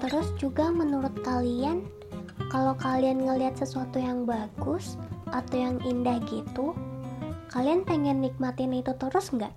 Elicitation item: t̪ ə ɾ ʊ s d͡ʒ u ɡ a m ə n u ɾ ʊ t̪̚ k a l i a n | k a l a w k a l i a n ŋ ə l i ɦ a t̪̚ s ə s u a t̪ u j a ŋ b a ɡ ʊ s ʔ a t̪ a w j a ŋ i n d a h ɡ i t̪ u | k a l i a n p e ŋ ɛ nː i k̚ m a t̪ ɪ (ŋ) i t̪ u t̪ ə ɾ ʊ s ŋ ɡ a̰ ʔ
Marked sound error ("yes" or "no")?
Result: yes